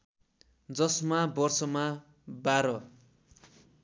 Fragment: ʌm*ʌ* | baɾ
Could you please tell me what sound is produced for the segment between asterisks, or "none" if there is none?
a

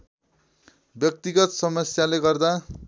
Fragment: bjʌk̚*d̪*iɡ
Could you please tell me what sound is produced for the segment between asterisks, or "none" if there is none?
t̪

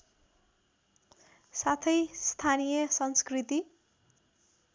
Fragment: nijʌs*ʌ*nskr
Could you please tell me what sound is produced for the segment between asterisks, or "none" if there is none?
ʌ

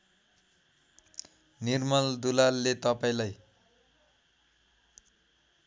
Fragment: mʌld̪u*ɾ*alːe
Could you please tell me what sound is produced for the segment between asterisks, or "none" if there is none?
l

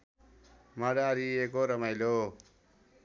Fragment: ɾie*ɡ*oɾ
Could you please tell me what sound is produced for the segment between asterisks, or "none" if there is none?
k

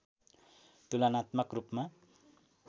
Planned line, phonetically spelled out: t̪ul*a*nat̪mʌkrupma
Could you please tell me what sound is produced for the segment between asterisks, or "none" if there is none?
a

